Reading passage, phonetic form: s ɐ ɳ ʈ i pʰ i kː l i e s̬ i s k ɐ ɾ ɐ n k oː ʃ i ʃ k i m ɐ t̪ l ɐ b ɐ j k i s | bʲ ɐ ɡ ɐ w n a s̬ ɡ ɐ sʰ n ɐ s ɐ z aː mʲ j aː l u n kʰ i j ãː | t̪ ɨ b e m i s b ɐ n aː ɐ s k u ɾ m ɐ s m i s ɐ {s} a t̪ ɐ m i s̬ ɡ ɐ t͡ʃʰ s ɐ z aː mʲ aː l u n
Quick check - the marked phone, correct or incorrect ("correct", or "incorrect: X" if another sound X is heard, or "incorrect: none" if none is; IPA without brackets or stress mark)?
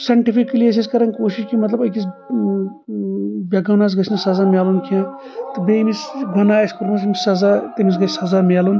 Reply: incorrect: z